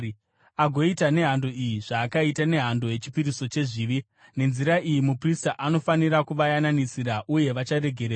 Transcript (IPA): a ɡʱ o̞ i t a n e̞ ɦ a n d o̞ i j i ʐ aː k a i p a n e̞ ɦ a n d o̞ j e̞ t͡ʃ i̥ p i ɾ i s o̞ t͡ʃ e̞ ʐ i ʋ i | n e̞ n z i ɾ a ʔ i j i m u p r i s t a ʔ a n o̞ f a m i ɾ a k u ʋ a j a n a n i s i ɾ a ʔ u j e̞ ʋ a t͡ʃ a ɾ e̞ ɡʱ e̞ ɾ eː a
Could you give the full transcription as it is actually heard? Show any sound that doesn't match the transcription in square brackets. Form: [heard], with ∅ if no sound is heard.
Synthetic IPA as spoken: a ɡʱ o̞ i t a n e̞ ɦ a n d o̞ i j i ʐ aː k a i [t] a n e̞ ɦ a n d o̞ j e̞ t͡ʃ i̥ p i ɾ i s o̞ t͡ʃ e̞ ʐ i ʋ i | n e̞ n z i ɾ a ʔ i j i m u p r i s t a ʔ a n o̞ f a [n] i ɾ a k u ʋ a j a n a n i s i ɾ a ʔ u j e̞ ʋ a t͡ʃ a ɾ e̞ ɡʱ e̞ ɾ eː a